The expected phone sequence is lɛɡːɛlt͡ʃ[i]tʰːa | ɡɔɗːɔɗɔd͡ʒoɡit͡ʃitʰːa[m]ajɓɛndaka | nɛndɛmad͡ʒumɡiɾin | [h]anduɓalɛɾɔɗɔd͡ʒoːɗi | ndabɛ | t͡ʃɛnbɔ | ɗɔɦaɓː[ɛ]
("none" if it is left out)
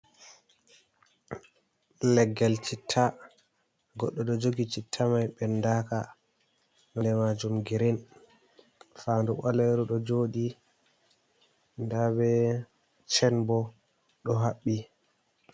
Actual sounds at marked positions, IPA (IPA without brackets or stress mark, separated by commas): i, m, f, i